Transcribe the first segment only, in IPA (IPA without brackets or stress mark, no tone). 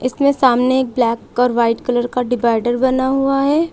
ɪ